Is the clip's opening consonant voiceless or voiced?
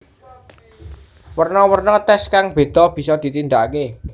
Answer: voiced